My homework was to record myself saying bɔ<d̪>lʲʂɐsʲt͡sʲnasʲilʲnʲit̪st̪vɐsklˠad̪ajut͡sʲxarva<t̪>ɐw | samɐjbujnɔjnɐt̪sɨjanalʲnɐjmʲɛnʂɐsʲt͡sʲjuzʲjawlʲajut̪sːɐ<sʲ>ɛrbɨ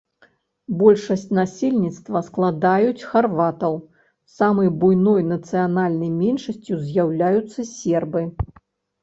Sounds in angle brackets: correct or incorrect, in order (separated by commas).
incorrect, correct, correct